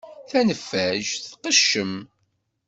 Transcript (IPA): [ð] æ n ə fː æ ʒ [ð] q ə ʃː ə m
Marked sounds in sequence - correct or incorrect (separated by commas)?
incorrect, incorrect